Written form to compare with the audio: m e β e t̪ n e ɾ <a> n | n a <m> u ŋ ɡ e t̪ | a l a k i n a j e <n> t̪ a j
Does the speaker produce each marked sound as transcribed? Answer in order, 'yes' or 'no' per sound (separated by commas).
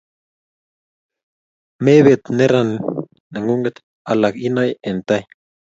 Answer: yes, no, yes